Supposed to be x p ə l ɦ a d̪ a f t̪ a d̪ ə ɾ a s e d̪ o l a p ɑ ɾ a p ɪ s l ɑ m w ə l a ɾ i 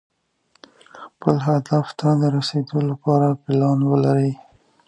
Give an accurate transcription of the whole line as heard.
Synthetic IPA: x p ə l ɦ a d̪ a f t̪ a d̪ ə ɾ a s e d̪ o l a p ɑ ɾ a p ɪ l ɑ n w ə l a ɾ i

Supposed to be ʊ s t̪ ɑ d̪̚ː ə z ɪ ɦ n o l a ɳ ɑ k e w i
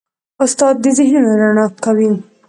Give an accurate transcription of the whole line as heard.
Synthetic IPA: ʊ s t̪ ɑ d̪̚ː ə z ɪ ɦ n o ɾ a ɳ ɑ k a w i

